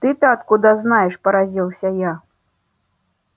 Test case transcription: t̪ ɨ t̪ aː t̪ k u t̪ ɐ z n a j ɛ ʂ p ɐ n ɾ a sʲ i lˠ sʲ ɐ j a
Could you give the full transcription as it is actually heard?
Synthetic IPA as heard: t̪ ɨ t̪ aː t̪ k u d̪ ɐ z n a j ɛ ʂ p ɐ ɾ a zʲ i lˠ sʲ ɐ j a